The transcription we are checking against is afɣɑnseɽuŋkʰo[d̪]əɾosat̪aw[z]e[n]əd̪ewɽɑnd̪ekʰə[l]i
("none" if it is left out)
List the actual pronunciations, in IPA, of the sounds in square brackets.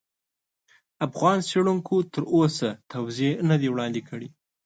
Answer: t̪, z, n, ɽ

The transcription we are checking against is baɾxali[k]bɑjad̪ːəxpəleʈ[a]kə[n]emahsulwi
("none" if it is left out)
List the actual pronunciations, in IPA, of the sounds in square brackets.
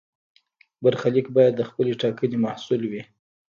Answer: k, ɑ, n

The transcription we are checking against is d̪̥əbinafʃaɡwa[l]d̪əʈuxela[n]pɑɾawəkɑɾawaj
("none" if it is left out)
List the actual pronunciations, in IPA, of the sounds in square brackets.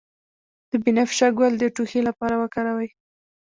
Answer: l, none

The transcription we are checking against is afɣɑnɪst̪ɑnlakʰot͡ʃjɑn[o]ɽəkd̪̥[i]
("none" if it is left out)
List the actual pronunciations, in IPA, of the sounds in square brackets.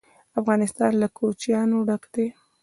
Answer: o, e

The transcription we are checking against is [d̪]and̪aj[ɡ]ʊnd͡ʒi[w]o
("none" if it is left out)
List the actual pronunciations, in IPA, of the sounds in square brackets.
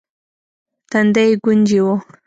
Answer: t̪, ɡ, w

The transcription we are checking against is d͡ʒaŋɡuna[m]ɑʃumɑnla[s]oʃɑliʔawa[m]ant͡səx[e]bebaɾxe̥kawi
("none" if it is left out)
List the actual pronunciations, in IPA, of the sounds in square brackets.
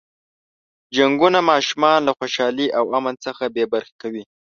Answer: m, x, m, a

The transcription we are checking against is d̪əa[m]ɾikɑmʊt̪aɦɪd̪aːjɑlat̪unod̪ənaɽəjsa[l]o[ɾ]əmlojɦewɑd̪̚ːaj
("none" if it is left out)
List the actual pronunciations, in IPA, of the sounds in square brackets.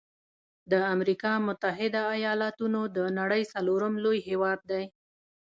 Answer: m, l, ɾ

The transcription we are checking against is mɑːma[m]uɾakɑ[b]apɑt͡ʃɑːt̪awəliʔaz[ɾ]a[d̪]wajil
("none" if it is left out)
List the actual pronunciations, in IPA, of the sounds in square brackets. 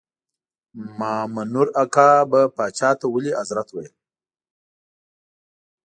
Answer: n, b, ɾ, t̪

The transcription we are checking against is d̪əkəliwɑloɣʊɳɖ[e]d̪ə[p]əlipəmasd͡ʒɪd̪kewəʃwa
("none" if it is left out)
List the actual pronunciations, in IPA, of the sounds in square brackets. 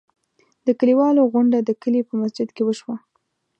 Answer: a, k

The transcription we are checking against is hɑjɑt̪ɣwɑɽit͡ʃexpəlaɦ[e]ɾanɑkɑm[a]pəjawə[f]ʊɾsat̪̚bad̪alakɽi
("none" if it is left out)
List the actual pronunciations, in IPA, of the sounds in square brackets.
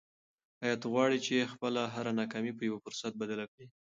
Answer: a, i, f

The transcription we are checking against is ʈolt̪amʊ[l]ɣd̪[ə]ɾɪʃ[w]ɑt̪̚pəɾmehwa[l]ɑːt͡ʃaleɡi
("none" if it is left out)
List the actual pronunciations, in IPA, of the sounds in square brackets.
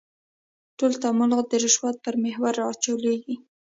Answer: l, ə, w, ɾ

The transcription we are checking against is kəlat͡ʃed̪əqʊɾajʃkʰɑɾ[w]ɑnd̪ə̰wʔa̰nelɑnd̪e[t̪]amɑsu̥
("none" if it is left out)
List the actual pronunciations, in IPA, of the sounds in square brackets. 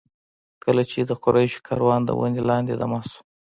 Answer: w, d̪

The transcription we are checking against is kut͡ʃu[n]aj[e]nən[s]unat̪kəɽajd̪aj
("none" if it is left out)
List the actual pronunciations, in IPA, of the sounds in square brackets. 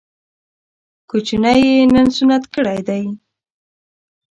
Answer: n, e, s

